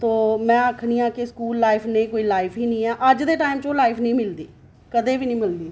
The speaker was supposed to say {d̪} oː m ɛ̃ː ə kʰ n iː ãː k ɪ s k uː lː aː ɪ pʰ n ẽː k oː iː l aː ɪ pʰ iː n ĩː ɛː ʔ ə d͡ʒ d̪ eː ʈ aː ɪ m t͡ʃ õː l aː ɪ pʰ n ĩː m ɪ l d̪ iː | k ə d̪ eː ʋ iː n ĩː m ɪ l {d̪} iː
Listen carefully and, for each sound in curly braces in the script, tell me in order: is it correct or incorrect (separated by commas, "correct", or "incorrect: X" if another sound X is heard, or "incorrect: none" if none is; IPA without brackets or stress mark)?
incorrect: t̪, correct